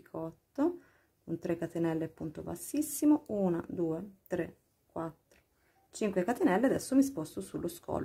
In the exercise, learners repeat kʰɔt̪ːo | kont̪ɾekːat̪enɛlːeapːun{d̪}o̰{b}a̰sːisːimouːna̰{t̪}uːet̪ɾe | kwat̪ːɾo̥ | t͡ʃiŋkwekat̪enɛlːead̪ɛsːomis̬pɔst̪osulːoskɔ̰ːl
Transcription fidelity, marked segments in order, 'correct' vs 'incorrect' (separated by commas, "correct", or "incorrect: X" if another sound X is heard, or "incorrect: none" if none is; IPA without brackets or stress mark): incorrect: t̪, correct, incorrect: d̪